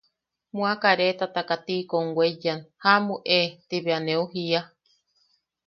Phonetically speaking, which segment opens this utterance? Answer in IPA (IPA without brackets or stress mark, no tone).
m